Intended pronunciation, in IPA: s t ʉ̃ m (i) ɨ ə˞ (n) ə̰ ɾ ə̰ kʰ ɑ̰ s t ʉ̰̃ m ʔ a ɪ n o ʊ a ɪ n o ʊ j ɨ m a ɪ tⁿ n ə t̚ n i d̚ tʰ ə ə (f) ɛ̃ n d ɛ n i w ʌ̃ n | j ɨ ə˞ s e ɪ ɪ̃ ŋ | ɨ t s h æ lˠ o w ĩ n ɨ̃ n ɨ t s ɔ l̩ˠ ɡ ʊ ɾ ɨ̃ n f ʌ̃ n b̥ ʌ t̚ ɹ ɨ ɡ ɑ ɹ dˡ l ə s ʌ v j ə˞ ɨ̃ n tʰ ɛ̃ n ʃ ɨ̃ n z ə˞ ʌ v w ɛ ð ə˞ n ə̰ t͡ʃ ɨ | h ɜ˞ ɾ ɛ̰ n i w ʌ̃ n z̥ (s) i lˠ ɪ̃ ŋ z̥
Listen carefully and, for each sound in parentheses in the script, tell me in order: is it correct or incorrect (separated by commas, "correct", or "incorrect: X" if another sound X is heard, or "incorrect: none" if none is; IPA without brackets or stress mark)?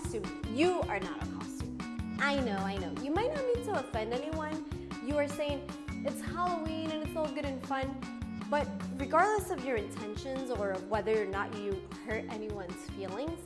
incorrect: j, correct, correct, incorrect: f